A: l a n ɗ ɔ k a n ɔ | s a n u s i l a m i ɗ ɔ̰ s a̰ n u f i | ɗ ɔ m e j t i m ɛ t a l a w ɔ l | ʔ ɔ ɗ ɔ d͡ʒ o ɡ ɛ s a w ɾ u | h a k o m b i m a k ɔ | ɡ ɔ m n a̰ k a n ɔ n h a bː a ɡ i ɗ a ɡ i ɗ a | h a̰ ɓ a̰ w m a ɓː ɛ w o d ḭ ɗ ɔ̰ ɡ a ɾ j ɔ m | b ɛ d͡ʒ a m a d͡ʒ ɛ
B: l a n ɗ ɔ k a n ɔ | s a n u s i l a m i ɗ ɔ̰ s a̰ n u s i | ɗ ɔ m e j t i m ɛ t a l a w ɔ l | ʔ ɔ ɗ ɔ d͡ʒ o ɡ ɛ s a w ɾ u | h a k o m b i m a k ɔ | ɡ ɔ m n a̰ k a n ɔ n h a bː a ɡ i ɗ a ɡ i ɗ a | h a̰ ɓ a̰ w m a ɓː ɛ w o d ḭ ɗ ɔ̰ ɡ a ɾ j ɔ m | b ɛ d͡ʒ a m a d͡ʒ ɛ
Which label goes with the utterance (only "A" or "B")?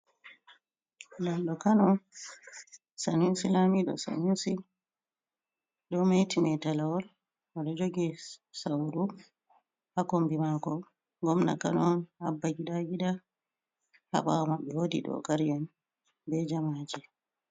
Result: B